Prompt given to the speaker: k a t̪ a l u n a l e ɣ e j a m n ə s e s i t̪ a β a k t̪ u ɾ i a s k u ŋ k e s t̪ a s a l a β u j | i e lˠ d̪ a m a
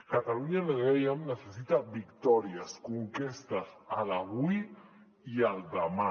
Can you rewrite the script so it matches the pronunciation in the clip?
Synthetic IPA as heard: k a t̪ a l u ɲ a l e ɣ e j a m n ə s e s i t̪ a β i k t̪ ɔ ɾ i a s k u ŋ k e s t̪ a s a l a β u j | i a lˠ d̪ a m a